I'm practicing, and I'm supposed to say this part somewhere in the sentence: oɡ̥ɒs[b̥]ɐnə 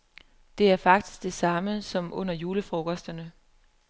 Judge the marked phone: incorrect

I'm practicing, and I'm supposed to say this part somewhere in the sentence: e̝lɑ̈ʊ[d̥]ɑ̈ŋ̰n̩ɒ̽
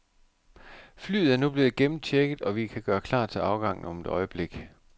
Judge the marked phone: incorrect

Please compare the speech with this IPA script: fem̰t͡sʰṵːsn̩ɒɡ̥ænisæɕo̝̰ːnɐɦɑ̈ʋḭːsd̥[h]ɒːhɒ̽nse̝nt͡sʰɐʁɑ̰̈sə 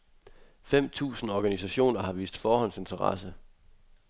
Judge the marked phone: incorrect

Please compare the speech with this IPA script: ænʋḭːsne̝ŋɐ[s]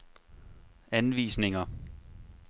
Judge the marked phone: incorrect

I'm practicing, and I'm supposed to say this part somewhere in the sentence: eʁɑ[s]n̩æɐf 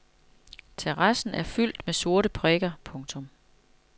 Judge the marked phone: correct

